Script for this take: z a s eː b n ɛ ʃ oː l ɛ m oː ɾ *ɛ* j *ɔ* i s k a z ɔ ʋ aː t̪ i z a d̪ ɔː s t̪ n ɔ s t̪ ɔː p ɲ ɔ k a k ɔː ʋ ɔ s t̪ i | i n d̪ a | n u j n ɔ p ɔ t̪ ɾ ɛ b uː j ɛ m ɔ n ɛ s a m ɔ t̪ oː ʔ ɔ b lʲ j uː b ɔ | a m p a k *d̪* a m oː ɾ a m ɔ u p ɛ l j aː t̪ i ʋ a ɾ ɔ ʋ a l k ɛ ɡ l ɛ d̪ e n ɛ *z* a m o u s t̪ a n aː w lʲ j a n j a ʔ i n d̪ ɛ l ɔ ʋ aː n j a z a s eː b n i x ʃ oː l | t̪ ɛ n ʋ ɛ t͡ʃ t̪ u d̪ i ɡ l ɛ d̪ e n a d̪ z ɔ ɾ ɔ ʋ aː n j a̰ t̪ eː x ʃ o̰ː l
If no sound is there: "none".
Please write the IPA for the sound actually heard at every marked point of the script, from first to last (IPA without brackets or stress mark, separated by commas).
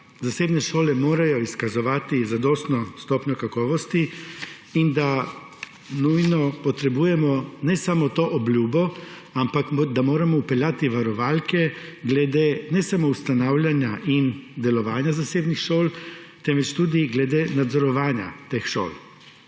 a, ɔ, d̪, s